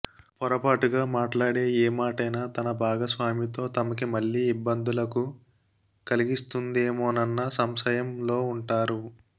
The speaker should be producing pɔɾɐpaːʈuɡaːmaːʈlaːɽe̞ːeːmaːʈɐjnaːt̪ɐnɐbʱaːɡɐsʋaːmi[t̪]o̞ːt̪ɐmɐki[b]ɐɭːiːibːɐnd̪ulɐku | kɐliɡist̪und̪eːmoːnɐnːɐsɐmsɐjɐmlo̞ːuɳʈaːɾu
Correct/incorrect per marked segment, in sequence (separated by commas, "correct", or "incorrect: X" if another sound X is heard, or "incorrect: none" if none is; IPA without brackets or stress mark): correct, incorrect: m